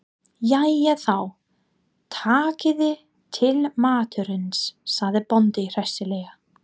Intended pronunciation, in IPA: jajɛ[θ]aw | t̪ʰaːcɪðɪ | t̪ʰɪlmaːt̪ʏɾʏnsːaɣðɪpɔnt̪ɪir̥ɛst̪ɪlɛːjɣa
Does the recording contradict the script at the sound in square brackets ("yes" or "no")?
no